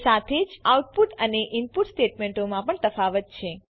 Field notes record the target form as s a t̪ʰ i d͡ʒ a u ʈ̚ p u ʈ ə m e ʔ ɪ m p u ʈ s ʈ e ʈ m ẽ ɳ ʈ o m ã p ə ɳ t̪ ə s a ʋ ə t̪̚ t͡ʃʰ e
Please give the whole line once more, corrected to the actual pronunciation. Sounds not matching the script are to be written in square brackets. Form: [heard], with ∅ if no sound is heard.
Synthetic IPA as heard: s a t̪ʰ [e] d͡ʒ a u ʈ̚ p u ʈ ə [n] e ʔ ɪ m p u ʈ s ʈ e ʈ m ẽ ɳ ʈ o m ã p ə ɳ t̪ ə [f] a ʋ ə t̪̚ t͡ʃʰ e